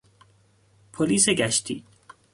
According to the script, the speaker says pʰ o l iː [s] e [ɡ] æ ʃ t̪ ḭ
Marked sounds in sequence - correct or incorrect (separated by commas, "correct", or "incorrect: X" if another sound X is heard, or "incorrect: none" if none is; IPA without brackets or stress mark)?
correct, correct